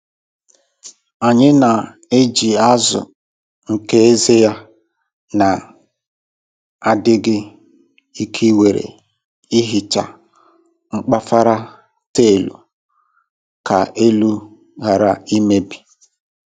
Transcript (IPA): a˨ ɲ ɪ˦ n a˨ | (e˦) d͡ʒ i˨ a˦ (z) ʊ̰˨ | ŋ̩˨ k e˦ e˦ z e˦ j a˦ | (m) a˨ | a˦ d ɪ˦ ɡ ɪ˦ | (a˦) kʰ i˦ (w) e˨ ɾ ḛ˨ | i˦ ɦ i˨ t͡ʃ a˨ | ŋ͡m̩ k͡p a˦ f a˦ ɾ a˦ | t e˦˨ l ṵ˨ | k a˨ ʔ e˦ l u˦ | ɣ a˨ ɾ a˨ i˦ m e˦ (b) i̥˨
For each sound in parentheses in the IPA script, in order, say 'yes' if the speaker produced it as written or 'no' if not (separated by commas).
yes, yes, no, no, yes, yes